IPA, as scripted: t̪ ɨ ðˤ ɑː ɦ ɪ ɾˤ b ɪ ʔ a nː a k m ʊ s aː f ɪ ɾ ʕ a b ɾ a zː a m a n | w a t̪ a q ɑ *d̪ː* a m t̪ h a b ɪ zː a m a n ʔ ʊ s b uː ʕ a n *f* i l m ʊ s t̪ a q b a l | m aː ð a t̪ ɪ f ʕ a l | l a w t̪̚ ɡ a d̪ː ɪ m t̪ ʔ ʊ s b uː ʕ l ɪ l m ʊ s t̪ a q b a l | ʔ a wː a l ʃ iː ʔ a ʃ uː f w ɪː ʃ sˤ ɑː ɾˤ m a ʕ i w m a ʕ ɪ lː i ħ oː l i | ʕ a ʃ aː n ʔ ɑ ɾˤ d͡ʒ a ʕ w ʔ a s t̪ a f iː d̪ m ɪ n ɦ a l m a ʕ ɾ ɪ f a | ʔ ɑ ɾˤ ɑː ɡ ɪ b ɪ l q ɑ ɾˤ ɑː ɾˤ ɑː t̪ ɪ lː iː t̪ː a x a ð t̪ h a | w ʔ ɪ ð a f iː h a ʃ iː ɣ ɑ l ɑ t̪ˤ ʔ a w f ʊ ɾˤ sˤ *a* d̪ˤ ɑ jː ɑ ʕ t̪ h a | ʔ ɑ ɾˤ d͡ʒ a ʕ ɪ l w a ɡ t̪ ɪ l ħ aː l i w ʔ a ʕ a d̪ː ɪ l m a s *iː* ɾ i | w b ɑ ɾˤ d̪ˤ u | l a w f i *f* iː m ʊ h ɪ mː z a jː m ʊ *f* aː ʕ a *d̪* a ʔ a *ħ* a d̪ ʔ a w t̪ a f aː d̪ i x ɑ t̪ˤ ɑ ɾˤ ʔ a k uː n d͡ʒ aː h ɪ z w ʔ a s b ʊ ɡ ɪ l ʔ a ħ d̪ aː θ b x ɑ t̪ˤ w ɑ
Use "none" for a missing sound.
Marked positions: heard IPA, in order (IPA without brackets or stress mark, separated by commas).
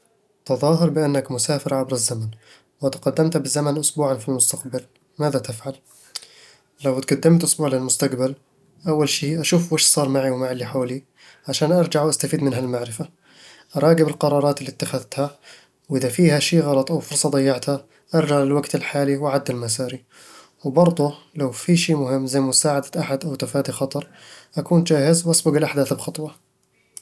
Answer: d̪ː, f, ɑ, aː, ʃ, s, d̪, ħ